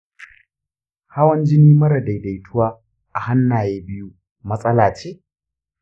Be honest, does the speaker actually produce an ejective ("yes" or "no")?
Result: yes